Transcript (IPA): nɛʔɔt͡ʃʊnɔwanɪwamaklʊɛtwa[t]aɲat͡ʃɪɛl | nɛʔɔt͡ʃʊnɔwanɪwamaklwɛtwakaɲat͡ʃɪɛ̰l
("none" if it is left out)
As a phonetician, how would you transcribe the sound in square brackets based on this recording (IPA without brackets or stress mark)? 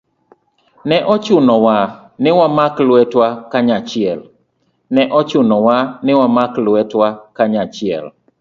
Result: k